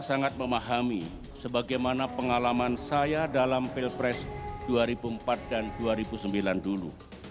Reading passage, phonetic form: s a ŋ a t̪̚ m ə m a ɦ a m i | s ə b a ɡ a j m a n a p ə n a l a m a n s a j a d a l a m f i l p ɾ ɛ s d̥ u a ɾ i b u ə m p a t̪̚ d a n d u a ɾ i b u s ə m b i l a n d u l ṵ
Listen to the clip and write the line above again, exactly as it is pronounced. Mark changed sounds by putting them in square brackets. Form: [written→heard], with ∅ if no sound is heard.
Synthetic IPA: s a ŋ a t̪̚ m ə m a ɦ a m i | s ə b a ɡ a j m a n a p ə [n→ŋ] a l a m a n s a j a d a l a m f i l p ɾ ɛ s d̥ u a ɾ i b u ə m p a t̪̚ d a n d u a ɾ i b u s ə m b i l a n d u l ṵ